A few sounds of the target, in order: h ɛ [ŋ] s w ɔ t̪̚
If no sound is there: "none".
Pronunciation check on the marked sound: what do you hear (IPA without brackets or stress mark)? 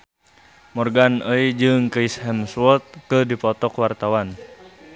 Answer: m